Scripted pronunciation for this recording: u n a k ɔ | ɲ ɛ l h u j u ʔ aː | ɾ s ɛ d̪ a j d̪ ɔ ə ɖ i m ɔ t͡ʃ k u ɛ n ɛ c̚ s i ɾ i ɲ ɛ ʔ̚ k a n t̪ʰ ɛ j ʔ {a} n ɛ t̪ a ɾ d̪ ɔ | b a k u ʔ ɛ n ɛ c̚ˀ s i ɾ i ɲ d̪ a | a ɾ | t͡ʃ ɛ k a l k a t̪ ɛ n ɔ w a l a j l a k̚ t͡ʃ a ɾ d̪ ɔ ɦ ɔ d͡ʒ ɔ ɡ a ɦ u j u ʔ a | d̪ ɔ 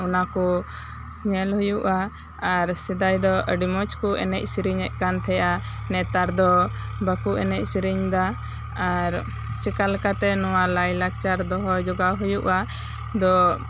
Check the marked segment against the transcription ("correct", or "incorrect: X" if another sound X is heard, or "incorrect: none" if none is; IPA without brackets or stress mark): correct